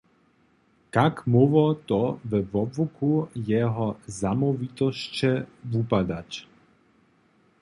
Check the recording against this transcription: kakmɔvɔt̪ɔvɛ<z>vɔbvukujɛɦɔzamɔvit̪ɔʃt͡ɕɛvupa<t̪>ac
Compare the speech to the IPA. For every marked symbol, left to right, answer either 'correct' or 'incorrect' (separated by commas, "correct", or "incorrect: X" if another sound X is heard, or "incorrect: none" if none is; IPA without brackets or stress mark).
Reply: incorrect: none, incorrect: d̪